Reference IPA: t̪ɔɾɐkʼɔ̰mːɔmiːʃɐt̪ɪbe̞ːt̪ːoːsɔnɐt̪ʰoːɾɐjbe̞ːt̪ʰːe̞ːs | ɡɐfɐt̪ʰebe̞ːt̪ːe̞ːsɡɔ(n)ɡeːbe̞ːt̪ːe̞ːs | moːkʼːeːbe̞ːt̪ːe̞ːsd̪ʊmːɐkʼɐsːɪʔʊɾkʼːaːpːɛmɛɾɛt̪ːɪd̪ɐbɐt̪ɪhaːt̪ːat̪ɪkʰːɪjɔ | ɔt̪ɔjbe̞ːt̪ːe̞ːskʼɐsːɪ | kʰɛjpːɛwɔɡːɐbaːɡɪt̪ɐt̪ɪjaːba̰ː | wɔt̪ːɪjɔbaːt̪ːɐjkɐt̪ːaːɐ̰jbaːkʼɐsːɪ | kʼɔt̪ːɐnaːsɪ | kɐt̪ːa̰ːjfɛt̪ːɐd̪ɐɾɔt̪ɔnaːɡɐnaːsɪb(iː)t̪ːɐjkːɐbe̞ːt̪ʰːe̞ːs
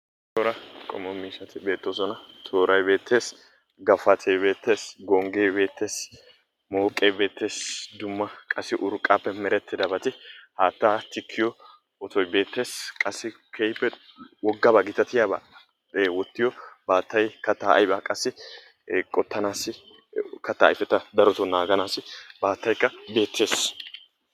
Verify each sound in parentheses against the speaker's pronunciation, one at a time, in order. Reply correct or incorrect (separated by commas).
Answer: incorrect, incorrect